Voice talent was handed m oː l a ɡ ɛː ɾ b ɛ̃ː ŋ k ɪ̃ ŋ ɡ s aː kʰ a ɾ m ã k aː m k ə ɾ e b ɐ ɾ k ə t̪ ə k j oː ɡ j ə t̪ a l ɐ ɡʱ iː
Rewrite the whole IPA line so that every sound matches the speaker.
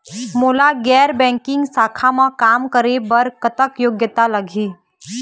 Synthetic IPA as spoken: m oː l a ɡ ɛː ɾ b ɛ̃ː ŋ k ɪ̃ ŋ ɡ s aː kʰ a m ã k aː m k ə ɾ e b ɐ ɾ k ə t̪ ə k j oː ɡ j ə t̪ a l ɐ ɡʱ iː